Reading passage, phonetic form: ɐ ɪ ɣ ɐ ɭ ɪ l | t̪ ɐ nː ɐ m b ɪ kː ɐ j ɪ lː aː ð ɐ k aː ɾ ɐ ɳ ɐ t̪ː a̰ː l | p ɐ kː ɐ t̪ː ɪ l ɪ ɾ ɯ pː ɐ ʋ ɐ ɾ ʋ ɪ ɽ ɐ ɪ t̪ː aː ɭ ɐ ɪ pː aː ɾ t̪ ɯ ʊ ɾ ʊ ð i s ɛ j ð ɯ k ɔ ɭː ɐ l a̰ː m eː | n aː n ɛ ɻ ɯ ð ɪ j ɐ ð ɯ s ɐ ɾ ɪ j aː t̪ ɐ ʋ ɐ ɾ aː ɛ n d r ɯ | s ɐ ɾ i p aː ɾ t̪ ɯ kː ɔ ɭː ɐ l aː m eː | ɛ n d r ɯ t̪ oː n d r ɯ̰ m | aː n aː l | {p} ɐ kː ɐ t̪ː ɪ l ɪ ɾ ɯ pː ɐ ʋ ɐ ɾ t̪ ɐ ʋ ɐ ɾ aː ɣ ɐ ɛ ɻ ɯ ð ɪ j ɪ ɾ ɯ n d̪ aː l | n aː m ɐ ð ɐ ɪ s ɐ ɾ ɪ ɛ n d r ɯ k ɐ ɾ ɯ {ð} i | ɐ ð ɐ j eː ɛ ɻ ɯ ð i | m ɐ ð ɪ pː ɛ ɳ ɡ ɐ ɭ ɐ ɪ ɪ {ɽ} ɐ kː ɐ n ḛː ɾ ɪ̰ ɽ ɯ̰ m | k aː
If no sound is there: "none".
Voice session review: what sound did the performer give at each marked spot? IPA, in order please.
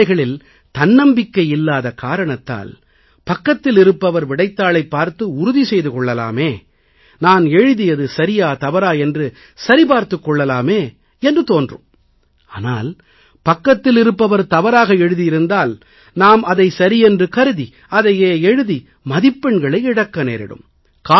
p, ð, ɽ

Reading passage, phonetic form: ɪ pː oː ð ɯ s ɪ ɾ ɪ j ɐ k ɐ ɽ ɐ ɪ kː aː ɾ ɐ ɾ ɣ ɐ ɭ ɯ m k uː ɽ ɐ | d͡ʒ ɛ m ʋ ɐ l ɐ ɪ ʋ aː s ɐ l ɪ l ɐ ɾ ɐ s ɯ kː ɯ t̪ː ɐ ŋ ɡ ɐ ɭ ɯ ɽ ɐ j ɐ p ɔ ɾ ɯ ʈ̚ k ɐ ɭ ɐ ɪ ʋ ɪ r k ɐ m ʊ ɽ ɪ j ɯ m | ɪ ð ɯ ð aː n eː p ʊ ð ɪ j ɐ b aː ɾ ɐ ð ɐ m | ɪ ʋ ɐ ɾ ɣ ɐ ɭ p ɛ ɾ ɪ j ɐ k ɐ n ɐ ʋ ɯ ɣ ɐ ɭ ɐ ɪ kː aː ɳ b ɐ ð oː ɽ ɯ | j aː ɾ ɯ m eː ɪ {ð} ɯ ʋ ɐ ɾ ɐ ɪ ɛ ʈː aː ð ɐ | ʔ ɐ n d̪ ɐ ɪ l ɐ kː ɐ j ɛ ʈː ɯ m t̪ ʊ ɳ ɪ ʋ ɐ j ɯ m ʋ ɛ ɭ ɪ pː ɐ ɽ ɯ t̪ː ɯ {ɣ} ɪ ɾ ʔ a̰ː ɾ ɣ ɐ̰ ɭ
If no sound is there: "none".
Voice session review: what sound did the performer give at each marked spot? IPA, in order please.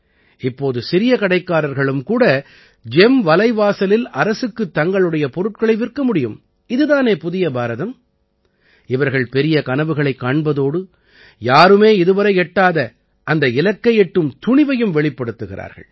ð, ɣ

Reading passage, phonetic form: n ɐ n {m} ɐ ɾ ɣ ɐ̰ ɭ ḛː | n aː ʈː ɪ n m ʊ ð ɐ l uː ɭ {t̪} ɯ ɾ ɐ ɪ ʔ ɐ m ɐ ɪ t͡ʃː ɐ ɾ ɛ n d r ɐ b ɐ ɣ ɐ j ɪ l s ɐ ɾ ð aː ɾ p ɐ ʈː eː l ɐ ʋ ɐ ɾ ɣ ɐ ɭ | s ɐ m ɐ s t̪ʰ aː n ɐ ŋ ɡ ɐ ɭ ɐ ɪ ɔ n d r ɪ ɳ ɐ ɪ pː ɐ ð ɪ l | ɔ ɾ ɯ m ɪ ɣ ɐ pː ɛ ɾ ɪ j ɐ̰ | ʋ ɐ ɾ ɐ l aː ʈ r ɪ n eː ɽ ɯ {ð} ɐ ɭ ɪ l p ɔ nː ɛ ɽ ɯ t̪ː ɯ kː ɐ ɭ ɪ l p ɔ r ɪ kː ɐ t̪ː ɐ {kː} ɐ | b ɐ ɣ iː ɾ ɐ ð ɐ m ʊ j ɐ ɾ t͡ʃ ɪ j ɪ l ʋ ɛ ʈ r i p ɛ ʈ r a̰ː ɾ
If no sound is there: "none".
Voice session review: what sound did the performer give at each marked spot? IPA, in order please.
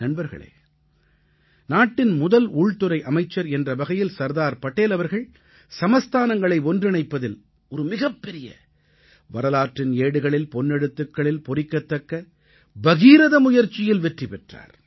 b, t̪, ɣ, kː

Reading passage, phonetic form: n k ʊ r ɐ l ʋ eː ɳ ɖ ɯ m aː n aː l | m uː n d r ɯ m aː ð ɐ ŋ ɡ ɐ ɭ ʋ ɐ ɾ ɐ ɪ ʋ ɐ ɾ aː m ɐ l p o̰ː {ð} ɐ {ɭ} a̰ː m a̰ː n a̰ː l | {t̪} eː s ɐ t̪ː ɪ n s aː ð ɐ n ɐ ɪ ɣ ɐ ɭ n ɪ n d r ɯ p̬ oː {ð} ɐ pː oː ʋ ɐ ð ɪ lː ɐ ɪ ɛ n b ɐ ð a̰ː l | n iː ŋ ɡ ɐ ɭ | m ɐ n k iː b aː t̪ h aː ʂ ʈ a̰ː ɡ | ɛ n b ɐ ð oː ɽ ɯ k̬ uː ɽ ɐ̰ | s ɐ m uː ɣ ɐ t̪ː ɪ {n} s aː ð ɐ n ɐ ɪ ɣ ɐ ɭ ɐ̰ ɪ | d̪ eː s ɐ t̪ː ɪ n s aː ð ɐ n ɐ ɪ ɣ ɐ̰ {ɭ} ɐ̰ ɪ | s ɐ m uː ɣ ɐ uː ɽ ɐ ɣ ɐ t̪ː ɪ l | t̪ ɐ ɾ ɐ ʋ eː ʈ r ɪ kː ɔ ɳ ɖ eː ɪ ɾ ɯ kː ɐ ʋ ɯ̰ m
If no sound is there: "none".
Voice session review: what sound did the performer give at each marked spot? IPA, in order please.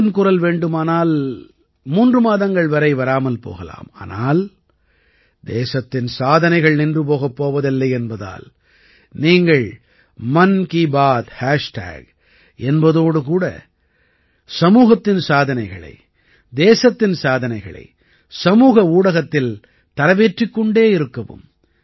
ɣ, l, d̪, ɣ, n, ɭ

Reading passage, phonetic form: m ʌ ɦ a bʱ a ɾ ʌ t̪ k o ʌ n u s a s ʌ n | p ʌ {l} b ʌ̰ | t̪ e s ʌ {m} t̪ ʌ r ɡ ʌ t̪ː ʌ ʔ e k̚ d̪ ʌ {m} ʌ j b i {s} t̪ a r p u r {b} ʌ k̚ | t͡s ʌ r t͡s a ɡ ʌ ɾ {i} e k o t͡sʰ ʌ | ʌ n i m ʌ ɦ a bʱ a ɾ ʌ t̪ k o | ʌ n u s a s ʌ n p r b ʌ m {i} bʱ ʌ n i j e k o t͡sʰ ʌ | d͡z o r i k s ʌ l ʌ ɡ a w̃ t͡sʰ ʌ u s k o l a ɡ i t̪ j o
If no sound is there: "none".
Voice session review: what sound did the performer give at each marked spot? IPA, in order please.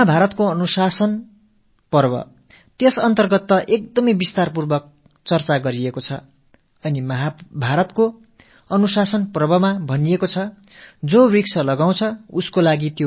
r, n, m, s, b, i, a

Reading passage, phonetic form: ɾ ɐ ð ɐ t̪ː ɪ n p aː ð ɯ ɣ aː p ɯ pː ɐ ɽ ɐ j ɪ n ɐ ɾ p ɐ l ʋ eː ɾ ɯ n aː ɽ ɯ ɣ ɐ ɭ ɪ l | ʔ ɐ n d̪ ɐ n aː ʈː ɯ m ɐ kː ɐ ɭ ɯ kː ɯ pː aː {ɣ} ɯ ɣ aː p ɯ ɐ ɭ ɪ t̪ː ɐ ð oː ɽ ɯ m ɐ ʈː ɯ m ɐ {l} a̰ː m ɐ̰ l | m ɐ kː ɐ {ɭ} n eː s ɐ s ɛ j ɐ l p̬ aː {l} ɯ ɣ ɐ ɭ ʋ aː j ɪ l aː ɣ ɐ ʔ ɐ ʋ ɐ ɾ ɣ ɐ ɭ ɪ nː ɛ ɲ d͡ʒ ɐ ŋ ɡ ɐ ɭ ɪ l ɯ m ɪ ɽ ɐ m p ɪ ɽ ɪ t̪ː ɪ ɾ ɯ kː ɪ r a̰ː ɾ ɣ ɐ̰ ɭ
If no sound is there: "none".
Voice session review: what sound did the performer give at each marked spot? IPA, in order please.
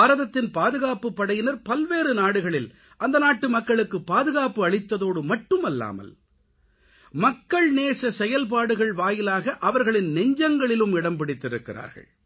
ð, lː, ɭ, ɽ

